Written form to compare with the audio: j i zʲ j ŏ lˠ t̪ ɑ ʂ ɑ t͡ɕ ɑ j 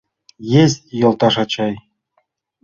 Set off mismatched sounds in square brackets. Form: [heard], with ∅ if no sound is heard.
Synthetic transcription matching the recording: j [e] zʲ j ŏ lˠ t̪ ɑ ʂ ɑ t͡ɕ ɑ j